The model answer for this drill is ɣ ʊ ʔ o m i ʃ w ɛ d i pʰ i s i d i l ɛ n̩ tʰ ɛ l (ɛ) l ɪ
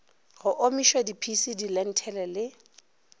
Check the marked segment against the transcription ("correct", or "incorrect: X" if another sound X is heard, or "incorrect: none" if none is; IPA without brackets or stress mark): correct